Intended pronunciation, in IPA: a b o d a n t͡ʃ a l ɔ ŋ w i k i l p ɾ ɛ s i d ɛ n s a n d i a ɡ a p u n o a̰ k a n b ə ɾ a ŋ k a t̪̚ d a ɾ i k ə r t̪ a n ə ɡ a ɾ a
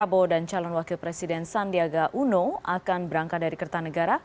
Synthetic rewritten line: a b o d a n t͡ʃ a l ɔ n w a k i l p ɾ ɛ s i d ɛ n s a n d i a ɡ a ʔ u n o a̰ k a n b ə ɾ a ŋ k a t̪̚ d a ɾ i k ə r t̪ a n ə ɡ a ɾ a